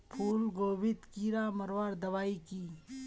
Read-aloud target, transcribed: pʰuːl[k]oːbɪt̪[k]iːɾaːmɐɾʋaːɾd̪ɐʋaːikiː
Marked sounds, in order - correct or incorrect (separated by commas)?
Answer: incorrect, correct